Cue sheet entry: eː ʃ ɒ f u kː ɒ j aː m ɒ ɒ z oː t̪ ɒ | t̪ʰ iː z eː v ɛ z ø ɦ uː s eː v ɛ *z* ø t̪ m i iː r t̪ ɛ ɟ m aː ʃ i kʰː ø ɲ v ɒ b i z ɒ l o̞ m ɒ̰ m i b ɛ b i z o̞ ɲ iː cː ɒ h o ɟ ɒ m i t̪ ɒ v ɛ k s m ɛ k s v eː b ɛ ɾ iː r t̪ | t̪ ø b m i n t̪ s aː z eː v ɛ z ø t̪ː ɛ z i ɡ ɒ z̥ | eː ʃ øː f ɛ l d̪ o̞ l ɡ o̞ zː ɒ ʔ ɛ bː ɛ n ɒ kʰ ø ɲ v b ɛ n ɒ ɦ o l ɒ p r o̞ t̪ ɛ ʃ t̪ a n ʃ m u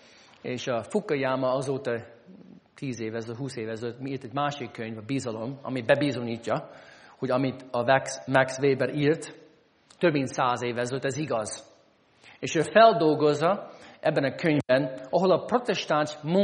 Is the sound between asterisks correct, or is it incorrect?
correct